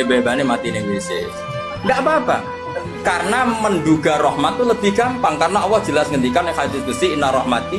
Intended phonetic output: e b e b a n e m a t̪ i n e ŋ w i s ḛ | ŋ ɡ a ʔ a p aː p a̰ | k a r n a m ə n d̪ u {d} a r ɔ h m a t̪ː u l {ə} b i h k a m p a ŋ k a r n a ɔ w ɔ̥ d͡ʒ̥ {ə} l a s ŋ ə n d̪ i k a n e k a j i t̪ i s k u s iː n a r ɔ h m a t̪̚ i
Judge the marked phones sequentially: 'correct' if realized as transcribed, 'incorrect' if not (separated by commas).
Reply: incorrect, correct, correct